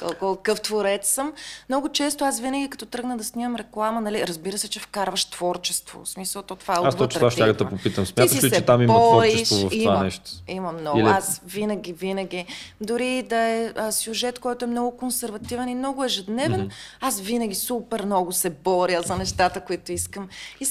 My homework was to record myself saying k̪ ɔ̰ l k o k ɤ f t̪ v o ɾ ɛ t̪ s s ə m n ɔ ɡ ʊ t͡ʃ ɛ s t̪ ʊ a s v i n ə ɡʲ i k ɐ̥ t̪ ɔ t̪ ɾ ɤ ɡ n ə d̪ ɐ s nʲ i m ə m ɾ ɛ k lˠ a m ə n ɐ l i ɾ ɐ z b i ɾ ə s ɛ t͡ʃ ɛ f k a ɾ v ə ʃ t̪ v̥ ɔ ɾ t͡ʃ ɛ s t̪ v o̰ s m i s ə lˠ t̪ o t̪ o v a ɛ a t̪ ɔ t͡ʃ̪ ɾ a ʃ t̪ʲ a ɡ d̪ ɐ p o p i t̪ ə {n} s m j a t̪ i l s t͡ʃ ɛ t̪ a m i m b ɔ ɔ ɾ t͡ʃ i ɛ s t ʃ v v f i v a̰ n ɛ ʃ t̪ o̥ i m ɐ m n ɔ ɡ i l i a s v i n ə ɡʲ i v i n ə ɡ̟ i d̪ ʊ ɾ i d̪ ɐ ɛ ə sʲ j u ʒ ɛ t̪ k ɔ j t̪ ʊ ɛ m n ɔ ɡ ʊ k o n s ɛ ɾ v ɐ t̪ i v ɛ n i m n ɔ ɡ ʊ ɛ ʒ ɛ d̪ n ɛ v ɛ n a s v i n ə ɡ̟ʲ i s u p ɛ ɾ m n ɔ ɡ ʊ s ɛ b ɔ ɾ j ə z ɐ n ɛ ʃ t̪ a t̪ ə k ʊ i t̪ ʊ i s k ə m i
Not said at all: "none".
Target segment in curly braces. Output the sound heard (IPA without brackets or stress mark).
m